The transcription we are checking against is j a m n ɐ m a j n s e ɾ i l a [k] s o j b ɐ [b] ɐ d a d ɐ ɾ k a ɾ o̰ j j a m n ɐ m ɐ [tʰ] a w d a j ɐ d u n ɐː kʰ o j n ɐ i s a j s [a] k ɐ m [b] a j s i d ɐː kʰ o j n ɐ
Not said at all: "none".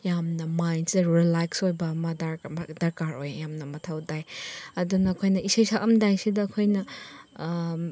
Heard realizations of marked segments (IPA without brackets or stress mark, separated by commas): k, m, tʰ, a, d